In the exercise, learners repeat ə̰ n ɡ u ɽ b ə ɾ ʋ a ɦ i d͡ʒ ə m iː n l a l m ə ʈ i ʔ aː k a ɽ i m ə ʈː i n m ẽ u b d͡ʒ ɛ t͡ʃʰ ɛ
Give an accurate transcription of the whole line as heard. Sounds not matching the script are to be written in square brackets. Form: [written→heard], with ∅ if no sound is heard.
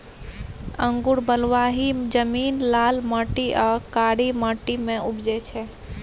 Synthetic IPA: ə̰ [n→ŋ] ɡ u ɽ b ə [ɾ→l] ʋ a ɦ i d͡ʒ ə m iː n l a l m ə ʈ i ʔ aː k a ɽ i m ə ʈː i [n→∅] m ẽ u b d͡ʒ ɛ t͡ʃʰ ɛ

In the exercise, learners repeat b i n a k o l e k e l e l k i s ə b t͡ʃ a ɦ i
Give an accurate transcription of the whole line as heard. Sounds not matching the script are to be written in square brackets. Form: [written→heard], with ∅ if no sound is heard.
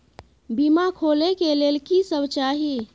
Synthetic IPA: b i [n→m] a [k→kʰ] o l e k e l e l k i s ə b t͡ʃ a ɦ i

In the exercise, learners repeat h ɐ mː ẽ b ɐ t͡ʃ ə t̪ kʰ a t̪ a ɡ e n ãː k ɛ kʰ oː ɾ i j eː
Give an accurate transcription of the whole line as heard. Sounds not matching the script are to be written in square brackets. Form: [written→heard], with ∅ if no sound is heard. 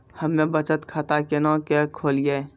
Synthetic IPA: h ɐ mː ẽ b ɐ t͡ʃ ə t̪ kʰ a t̪ a [ɡ→k] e n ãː k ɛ kʰ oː [ɾ→l] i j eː

